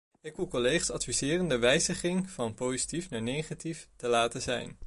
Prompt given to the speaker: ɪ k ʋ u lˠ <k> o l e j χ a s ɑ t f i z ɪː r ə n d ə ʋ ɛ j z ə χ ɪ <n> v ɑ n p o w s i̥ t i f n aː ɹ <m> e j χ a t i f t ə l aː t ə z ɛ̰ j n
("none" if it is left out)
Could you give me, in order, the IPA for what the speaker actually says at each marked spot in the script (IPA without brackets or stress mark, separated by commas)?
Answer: k, ŋ, n